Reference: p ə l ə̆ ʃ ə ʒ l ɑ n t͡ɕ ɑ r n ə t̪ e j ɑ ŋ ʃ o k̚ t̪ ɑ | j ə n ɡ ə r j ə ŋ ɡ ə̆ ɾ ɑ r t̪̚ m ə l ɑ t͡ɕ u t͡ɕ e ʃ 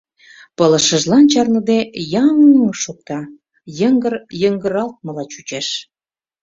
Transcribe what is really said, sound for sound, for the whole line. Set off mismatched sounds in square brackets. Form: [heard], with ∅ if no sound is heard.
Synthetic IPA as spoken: p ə l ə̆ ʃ ə ʒ l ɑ n t͡ɕ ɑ r n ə [d̪] e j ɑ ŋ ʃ o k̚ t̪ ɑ | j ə [ŋ] ɡ ə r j ə ŋ ɡ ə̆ ɾ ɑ [l] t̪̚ m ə l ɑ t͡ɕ u t͡ɕ e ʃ